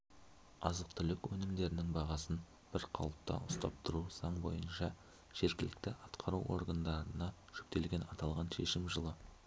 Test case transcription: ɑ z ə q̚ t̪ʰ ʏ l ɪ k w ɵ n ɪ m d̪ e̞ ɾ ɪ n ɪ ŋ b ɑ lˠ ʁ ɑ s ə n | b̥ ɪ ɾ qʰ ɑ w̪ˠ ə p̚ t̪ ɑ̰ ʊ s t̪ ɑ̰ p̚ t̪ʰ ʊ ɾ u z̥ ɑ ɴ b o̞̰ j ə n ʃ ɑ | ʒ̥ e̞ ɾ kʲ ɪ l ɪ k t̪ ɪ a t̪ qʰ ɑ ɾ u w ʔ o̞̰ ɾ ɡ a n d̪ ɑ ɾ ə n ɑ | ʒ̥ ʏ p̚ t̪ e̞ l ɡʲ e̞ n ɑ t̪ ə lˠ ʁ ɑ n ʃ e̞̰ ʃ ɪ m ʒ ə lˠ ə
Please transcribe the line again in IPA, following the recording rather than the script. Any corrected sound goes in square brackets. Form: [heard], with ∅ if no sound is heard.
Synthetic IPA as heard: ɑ z ə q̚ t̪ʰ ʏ l ɪ k w ɵ n ɪ m d̪ e̞ ɾ ɪ n ɪ ŋ b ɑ [∅] ʁ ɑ s ə n | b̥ ɪ ɾ qʰ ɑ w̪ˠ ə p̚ t̪ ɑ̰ ʊ s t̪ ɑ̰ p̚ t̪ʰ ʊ ɾ u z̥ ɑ ɴ b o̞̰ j ə n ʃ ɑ | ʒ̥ e̞ ɾ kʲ ɪ l ɪ k t̪ ɪ [ɑ] t̪ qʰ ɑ ɾ u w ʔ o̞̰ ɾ ɡ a n d̪ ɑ ɾ ə n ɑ | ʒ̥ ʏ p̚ t̪ e̞ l ɡʲ e̞ n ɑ t̪ [ɑ] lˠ ʁ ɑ n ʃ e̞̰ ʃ ɪ m ʒ ə lˠ ə

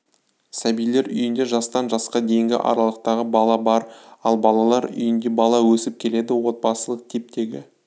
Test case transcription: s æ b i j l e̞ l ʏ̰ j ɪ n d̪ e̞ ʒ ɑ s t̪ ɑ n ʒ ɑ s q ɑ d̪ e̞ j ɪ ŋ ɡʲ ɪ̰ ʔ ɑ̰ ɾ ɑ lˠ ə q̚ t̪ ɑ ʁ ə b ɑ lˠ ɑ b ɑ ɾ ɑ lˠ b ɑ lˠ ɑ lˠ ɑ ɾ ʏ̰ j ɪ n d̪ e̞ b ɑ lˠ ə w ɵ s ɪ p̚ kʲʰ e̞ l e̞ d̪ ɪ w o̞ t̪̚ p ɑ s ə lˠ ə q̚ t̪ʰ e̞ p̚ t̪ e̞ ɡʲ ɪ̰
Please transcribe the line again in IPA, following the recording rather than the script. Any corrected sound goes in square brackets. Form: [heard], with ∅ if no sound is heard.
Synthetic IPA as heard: s æ b i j l e̞ [ɾ] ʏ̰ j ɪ n d̪ e̞ ʒ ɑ s t̪ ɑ n ʒ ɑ s q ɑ d̪ e̞ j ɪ ŋ ɡʲ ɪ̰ ʔ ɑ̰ ɾ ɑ lˠ ə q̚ t̪ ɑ ʁ ə b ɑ lˠ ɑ b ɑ ɾ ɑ lˠ b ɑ lˠ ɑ lˠ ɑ ɾ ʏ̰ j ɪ n d̪ e̞ b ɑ lˠ [ɑ] w ɵ s ɪ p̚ kʲʰ e̞ l e̞ d̪ ɪ w o̞ t̪̚ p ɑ s ə lˠ ə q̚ t̪ʰ e̞ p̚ t̪ e̞ ɡʲ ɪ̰

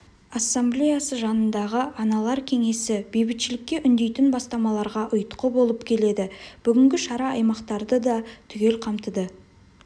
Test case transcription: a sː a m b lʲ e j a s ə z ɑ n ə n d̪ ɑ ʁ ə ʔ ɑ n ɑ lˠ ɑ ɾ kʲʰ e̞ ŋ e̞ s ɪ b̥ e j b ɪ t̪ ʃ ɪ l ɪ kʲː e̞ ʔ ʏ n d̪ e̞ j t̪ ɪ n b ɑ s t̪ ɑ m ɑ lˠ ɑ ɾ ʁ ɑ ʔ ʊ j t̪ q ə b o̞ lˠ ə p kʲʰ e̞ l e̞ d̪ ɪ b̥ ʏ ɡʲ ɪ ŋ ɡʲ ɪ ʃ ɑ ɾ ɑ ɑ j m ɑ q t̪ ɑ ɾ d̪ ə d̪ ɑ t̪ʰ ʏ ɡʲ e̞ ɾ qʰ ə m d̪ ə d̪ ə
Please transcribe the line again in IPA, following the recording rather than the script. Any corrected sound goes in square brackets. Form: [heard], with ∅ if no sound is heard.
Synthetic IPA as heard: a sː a m b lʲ e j a s ə [ʒ] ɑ n ə n d̪ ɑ ʁ ə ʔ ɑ n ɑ lˠ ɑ ɾ kʲʰ e̞ ŋ e̞ s ɪ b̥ e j b ɪ t̪ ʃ ɪ l ɪ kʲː e̞ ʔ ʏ n d̪ e̞ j t̪ ɪ n b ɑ s t̪ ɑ m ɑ lˠ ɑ ɾ ʁ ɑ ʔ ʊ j t̪ q ə b o̞ lˠ ə p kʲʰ e̞ l e̞ d̪ ɪ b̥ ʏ ɡʲ ɪ ŋ ɡʲ ɪ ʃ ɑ ɾ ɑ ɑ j m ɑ q t̪ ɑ ɾ d̪ ə d̪ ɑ t̪ʰ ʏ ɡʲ e̞ [l] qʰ [ɑ] m [t̪] ə d̪ ə

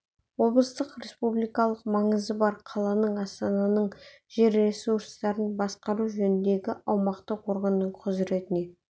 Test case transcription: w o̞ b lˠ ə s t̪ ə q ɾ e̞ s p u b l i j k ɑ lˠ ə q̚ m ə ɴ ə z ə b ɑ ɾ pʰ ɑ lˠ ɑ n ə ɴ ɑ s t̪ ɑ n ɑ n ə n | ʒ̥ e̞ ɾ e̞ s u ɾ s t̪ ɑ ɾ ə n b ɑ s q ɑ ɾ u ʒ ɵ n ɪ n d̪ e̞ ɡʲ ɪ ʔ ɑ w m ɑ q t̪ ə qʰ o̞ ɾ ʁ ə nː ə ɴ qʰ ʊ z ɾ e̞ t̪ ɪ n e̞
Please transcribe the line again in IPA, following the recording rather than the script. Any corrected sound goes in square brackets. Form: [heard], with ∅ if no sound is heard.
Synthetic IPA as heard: w o̞ b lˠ ə s t̪ ə q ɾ e̞ s p u b l i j k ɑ lˠ ə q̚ m [ɑ] ɴ ə z ə b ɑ ɾ [qʰ] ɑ lˠ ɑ n ə ɴ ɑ s t̪ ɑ n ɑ n ə [ɴ] | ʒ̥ e̞ ɾ e̞ s u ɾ s t̪ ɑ ɾ ə n b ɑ s q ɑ ɾ u ʒ ɵ n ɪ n d̪ e̞ ɡʲ ɪ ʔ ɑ w m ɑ q t̪ ə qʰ o̞ ɾ ʁ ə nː ə ɴ qʰ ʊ z ɾ e̞ t̪ ɪ n e̞

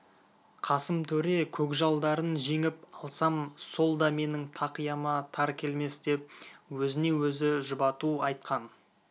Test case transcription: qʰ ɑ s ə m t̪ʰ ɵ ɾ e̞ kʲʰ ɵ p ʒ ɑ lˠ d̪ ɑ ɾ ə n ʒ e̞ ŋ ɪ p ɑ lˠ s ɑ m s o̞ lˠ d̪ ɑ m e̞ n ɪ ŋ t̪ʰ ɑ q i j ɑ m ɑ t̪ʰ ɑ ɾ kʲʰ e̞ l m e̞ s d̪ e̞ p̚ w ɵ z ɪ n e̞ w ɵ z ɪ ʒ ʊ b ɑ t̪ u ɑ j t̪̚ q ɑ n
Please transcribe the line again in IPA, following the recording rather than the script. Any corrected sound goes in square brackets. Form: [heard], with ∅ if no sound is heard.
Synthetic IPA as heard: qʰ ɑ s ə m t̪ʰ ɵ ɾ e̞ kʲʰ ɵ [k] ʒ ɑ lˠ d̪ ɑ ɾ ə n ʒ e̞ ŋ ɪ p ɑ lˠ s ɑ m s o̞ lˠ d̪ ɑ m e̞ n ɪ ŋ t̪ʰ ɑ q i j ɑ m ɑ t̪ʰ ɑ ɾ kʲʰ e̞ l m e̞ s d̪ e̞ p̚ w ɵ z ɪ n e̞ w ɵ z ɪ ʒ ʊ b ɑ t̪ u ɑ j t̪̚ q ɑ n

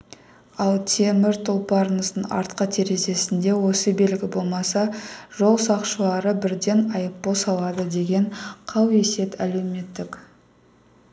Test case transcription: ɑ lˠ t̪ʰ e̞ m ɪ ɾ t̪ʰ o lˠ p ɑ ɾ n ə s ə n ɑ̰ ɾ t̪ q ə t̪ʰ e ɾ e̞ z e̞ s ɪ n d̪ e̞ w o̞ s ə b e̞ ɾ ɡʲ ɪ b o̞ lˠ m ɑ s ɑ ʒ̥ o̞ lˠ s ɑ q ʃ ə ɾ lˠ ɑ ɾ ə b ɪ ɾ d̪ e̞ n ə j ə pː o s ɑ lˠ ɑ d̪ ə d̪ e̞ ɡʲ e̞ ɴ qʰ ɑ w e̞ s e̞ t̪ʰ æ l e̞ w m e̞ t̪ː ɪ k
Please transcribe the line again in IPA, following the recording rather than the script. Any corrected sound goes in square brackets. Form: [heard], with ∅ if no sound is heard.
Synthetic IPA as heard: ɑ lˠ t̪ʰ e̞ m ɪ ɾ t̪ʰ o lˠ p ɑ ɾ n ə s ə n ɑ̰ ɾ t̪ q ə t̪ʰ e ɾ e̞ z e̞ s ɪ n d̪ e̞ w o̞ s ə b e̞ [l] ɡʲ ɪ b o̞ lˠ m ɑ s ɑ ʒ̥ o̞ lˠ s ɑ q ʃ ə [∅] lˠ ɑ ɾ ə b ɪ ɾ d̪ e̞ n [ɑ] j ə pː o s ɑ lˠ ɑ d̪ ə d̪ e̞ ɡʲ e̞ ɴ qʰ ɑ w e̞ s e̞ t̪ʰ æ l e̞ w m e̞ t̪ː ɪ k

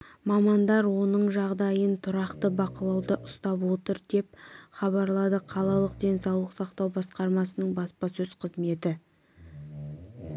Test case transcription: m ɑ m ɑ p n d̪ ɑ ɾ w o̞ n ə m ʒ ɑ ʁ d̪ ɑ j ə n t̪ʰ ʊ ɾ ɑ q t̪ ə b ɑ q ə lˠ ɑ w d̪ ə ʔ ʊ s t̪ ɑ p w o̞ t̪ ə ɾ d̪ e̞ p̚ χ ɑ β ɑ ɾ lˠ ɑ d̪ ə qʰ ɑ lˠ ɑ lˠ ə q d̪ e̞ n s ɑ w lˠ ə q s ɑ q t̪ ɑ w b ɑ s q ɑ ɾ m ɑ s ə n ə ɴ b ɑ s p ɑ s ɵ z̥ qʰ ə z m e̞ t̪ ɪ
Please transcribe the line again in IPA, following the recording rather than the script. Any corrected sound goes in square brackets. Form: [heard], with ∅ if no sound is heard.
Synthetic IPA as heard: m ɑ m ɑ [∅] n d̪ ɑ ɾ w o̞ n ə [ɴ] ʒ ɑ ʁ d̪ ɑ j ə n t̪ʰ ʊ ɾ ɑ q t̪ ə b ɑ q ə lˠ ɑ w d̪ ə ʔ ʊ s t̪ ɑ p w o̞ t̪ ə ɾ d̪ e̞ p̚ χ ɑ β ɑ ɾ lˠ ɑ d̪ ə qʰ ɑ lˠ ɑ lˠ ə q d̪ e̞ n s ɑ w lˠ ə q s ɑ q t̪ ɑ w b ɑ s q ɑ ɾ m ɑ s ə n ə ɴ b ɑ s p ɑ s ɵ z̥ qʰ ə z m e̞ t̪ ɪ

